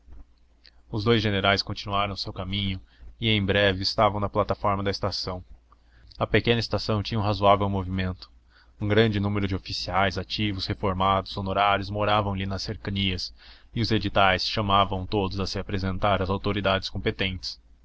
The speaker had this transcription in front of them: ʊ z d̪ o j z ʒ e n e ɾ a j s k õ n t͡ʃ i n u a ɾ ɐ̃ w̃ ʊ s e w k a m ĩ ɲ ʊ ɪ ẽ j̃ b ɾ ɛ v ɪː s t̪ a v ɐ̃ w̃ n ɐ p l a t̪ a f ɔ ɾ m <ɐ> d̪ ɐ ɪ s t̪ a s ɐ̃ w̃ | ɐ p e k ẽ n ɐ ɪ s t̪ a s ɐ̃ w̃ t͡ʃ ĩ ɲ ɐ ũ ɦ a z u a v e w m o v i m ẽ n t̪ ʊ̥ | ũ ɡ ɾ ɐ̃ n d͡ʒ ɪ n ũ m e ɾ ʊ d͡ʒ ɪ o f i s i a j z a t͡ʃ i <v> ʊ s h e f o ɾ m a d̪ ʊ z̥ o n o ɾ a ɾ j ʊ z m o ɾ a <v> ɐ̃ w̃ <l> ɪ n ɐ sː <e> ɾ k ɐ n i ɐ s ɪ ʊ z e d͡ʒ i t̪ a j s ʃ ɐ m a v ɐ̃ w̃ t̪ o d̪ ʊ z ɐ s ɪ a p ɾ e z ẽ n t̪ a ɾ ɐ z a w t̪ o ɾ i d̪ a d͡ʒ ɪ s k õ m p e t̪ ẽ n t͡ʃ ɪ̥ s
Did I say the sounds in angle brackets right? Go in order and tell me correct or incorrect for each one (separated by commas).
correct, correct, correct, correct, correct